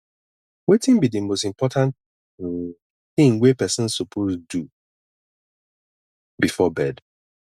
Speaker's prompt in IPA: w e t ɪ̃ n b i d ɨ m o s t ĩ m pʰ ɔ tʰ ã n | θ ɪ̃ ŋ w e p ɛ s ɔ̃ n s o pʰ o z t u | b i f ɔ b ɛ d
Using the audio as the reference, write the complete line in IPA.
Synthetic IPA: w e t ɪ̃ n b i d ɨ m o s t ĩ m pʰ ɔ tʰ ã n | θ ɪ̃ ŋ w e p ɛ s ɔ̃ n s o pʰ o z d u | b i f ɔ b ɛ d